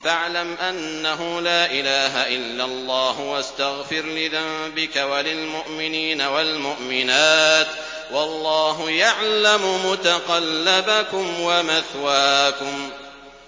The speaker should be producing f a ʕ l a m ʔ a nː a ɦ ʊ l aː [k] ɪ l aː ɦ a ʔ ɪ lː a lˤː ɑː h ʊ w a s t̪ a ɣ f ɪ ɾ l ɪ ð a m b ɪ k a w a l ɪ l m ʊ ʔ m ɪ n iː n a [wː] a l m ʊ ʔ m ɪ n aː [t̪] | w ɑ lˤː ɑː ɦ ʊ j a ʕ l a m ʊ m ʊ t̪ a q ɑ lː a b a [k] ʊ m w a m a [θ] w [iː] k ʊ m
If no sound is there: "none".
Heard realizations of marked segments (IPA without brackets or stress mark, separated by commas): ʔ, w, t̪, k, θ, aː